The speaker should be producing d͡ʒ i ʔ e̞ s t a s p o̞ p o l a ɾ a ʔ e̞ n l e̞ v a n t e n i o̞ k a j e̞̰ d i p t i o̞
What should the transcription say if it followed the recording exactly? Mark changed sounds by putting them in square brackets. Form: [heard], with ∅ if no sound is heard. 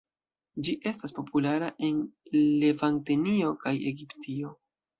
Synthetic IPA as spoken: d͡ʒ i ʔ e̞ s t a s p o̞ p [u] l a ɾ a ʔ e̞ n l e̞ v a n t e n i o̞ k a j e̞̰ [ɡ] i p t i o̞